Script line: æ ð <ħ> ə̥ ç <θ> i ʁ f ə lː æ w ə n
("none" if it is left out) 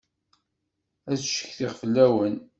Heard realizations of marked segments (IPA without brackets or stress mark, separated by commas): ʃ, θ